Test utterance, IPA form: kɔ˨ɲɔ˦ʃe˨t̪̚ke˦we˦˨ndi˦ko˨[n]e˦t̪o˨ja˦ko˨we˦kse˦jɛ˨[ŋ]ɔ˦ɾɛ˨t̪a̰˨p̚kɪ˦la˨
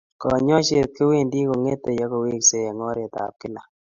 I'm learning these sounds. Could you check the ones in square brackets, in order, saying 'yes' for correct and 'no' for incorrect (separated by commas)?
no, yes